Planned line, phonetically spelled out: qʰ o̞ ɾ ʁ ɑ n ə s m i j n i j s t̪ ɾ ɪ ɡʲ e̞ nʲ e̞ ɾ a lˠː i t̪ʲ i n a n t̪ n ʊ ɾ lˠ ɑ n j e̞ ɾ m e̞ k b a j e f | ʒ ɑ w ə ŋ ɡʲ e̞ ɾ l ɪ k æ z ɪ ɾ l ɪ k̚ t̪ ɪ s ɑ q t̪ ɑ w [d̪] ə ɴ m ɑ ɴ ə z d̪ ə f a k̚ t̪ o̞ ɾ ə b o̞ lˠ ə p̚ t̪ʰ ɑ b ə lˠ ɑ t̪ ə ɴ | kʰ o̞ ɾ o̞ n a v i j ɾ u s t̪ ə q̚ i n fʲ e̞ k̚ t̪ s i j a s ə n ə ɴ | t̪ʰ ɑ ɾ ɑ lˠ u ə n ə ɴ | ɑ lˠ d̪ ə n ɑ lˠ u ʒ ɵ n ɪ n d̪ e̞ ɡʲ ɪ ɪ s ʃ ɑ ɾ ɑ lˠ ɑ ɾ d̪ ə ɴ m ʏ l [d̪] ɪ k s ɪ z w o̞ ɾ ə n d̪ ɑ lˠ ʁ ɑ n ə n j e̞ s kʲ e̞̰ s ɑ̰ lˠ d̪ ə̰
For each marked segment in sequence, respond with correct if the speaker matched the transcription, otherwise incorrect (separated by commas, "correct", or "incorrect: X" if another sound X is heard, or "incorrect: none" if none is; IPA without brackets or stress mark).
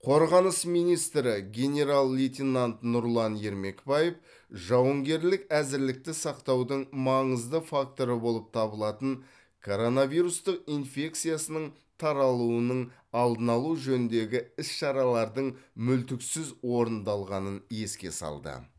correct, incorrect: t̪